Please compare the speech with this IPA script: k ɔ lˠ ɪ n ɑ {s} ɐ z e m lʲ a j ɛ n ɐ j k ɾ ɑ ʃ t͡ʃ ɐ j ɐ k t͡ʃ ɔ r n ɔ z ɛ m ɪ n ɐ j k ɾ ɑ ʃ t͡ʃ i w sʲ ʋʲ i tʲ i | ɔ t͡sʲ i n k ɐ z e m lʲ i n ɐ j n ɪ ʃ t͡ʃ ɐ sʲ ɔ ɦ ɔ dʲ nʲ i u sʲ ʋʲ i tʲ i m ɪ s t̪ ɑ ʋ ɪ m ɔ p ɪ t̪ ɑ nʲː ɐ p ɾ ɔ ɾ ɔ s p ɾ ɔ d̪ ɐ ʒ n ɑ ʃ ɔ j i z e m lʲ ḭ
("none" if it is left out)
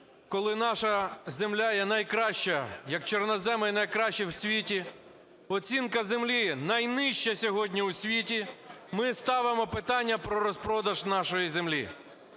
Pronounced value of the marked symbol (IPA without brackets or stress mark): ʃ